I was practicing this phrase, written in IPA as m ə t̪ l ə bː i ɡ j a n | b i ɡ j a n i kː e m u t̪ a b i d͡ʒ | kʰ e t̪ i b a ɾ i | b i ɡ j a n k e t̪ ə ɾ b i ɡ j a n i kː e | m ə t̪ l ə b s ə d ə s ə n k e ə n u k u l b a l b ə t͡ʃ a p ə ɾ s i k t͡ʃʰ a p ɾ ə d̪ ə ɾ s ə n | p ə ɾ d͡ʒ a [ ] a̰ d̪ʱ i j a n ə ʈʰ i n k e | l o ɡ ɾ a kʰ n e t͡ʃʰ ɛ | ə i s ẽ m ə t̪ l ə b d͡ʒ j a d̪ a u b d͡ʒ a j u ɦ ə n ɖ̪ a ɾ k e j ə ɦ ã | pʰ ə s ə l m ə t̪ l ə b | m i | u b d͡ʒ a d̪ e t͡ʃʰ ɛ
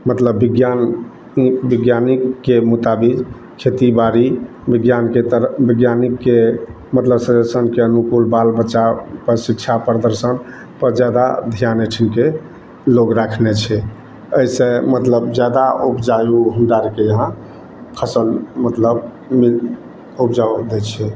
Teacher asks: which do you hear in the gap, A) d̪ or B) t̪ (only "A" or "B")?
A